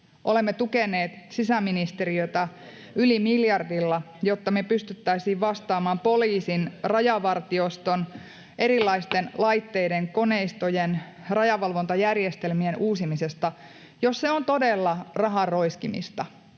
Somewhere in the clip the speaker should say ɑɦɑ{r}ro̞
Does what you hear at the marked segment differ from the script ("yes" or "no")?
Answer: no